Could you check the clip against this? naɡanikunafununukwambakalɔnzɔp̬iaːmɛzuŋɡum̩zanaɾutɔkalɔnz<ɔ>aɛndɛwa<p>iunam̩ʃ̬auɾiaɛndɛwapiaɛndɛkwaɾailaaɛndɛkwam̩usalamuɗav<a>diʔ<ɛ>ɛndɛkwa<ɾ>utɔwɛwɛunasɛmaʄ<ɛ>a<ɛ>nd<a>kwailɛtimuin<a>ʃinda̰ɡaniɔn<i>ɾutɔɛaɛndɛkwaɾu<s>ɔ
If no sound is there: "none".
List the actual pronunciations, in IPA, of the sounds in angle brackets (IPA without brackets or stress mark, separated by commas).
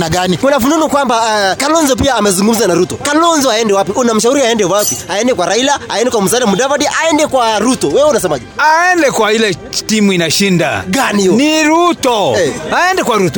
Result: ɔ, p, a, a, ɾ, ɛ, ɛ, ɛ, a, i, t